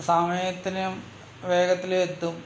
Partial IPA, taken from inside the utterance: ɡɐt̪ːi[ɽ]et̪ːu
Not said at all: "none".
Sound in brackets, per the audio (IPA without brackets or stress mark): l